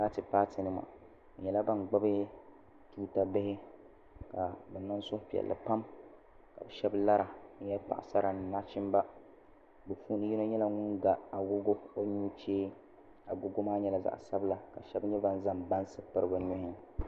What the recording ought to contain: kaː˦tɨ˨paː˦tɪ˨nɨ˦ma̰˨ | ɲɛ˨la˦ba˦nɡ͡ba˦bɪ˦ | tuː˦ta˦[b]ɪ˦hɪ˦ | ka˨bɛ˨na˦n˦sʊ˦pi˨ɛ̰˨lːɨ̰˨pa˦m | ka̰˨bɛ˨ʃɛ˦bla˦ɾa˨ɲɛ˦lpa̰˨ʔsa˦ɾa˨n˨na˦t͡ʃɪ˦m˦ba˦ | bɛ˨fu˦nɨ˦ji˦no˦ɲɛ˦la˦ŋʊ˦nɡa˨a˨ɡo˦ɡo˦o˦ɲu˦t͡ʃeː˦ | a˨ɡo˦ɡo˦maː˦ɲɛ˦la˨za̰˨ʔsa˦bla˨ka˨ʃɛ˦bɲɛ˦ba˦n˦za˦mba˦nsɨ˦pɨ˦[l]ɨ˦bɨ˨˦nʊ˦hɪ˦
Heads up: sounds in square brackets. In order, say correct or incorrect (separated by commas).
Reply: correct, incorrect